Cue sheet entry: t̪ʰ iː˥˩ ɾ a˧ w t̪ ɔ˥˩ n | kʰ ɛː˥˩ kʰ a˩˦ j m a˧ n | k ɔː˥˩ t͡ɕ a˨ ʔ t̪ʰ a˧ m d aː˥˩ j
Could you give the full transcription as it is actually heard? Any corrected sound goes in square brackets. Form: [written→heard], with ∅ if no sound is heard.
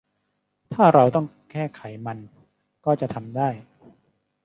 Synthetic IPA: t̪ʰ [iː˥˩→aː˥˩] ɾ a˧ w t̪ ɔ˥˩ [n→ŋ] | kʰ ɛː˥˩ kʰ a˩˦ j m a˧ n | k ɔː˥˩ t͡ɕ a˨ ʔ t̪ʰ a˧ m d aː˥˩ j

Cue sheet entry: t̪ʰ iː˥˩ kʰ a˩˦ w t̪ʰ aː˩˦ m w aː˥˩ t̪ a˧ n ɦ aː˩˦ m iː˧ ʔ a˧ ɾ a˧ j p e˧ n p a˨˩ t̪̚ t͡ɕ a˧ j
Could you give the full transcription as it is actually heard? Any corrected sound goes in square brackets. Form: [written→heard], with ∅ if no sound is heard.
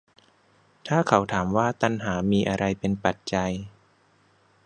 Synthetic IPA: t̪ʰ [iː˥˩→aː˥˩] kʰ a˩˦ w t̪ʰ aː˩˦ m w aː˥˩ t̪ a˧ n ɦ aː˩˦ m iː˧ ʔ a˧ ɾ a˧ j p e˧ n p a˨˩ t̪̚ t͡ɕ a˧ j

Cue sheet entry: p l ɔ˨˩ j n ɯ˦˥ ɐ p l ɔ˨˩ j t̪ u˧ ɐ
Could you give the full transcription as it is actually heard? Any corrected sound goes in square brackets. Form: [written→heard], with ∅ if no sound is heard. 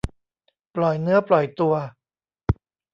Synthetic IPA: p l ɔ˨˩ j n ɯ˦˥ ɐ p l ɔ˨˩ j t̪ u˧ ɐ

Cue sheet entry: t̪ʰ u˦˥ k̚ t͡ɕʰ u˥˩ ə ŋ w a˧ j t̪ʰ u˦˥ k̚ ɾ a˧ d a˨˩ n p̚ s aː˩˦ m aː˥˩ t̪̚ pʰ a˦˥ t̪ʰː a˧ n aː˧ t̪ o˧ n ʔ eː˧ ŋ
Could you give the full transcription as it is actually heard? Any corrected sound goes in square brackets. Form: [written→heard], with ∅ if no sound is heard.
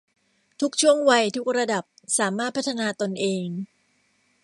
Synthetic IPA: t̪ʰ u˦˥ k̚ t͡ɕʰ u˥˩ ə ŋ w a˧ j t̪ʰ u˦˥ k̚ ɾ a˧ d a˨˩ [n→∅] p̚ s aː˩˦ m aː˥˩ t̪̚ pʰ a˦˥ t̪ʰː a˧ n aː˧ t̪ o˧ n ʔ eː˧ ŋ

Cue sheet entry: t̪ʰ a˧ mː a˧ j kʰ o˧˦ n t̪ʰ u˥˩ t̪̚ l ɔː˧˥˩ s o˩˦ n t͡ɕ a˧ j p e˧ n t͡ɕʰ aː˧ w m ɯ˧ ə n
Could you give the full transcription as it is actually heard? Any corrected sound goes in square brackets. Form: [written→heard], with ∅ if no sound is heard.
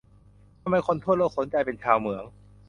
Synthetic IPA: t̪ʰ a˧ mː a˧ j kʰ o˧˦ n t̪ʰ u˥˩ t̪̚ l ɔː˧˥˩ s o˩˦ n t͡ɕ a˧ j p e˧ n t͡ɕʰ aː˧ w m [ɯ˧→ɯ˩˦] ə [n→ŋ]

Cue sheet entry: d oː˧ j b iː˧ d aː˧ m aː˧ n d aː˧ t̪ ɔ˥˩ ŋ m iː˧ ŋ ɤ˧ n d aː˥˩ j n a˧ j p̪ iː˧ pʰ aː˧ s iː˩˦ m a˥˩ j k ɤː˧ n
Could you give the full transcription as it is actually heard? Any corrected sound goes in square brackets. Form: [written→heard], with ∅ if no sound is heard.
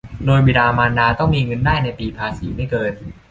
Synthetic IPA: d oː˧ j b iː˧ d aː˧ m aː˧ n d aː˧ t̪ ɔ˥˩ ŋ m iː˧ ŋ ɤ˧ n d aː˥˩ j n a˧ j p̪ iː˧ pʰ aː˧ s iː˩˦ m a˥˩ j k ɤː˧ n

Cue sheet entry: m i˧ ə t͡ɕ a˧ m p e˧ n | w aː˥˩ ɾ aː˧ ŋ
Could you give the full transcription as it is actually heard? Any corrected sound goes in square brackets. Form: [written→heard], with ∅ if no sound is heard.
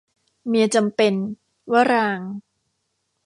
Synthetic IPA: m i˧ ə t͡ɕ a˧ m p e˧ n | w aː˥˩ ɾ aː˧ ŋ

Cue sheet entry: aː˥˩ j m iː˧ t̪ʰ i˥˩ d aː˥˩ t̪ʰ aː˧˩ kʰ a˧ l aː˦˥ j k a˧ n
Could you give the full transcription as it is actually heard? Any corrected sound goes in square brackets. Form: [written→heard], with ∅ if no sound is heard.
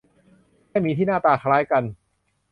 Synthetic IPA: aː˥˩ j m iː˧ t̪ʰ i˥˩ [d→n] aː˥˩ [t̪ʰ→t̪] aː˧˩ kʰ a˧ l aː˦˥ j k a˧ n

